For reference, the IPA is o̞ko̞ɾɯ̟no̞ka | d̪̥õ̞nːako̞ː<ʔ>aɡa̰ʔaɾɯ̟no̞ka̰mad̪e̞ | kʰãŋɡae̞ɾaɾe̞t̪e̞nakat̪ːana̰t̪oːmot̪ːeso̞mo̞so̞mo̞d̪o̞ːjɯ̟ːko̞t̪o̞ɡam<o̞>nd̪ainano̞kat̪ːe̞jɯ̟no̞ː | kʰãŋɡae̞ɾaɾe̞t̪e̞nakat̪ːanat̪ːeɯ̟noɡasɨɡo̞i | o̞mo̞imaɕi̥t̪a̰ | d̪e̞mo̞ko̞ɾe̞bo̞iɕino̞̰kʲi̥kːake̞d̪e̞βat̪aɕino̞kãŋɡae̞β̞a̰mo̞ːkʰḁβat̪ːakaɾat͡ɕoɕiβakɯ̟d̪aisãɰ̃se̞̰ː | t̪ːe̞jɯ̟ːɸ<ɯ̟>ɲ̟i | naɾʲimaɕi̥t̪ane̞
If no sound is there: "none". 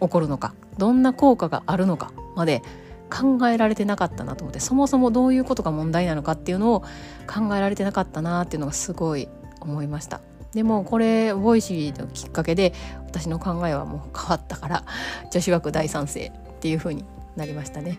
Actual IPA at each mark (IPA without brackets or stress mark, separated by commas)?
k, õ̞, ɯ̟ː